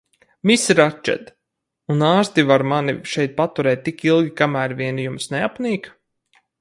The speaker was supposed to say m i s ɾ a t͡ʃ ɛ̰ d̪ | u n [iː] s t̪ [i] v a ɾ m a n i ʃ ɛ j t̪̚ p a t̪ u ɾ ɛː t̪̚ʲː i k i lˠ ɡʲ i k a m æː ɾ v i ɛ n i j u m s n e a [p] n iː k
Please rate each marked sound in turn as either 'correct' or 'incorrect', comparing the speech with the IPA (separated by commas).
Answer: incorrect, correct, correct